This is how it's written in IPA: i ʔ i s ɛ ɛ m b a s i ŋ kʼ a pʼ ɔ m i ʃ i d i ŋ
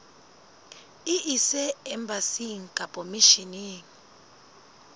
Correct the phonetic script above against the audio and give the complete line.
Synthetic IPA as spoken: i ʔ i s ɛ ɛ m b a s i ŋ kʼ a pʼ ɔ m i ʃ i n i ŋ